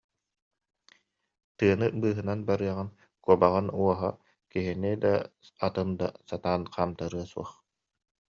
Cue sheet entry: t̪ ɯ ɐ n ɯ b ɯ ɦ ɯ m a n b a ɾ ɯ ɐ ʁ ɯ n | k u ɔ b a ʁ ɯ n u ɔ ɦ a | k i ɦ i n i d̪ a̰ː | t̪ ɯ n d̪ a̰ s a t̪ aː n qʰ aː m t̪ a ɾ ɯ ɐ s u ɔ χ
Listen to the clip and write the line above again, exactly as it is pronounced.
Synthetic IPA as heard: t̪ ɯ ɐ n ɯ b ɯː ɦ ɯ n a n b a ɾ ɯ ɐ ʁ ɯ n | k u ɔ b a ʁ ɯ n u ɔ ɦ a | k i ɦ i n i d̪ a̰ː | t̪ ɯ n d̪ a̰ s a t̪ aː n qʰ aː m t̪ a ɾ ɯ ɐ s u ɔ χ